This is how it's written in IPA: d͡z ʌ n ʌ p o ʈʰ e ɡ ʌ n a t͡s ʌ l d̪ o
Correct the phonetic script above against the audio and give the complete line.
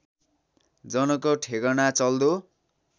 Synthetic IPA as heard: d͡z ʌ n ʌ k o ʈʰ e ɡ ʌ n a t͡s ʌ l d̪ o